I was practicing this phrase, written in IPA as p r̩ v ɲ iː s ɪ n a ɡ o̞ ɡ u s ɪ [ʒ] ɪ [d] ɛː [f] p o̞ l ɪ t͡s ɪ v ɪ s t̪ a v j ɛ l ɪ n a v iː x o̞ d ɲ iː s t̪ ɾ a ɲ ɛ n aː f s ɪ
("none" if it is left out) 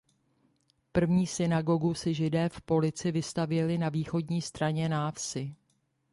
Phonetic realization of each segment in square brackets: ʒ, d, f

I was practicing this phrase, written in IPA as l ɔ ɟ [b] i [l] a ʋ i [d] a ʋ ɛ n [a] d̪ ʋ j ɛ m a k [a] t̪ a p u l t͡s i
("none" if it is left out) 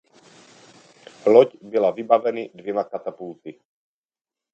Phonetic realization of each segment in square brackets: b, l, b, i, a

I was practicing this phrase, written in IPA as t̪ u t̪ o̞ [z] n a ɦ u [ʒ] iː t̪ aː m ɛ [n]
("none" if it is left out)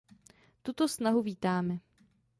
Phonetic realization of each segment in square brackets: s, v, none

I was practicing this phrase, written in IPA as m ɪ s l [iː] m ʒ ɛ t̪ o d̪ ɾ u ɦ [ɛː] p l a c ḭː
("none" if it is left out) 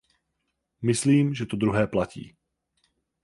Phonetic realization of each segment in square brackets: iː, ɛː

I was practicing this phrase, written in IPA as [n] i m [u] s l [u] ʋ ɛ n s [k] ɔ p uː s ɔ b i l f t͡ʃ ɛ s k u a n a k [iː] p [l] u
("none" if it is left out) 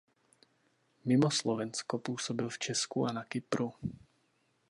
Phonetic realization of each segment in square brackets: m, ɔ, ɔ, k, i, ɾ

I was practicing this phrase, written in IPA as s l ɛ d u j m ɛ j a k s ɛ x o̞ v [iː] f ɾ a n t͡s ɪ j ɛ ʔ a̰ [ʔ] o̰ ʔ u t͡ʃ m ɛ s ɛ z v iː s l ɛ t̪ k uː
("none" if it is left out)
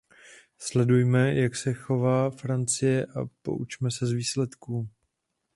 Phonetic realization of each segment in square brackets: aː, p

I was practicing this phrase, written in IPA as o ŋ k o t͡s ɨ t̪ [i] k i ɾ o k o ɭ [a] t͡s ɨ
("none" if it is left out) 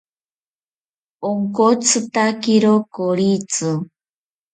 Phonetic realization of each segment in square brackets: a, i

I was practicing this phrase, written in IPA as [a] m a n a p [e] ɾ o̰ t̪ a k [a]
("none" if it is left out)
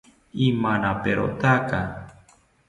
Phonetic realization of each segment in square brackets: i, e, a

